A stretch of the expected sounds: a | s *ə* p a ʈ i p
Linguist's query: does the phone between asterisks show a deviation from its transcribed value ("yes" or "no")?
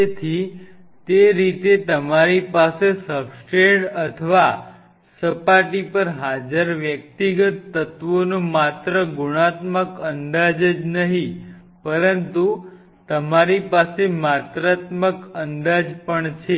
no